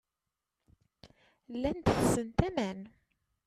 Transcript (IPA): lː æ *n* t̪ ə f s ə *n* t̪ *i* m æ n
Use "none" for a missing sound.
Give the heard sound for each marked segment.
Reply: n, n, æ

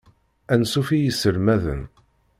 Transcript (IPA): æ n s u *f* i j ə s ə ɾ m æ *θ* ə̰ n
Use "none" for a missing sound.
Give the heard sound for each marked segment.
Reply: f, ð

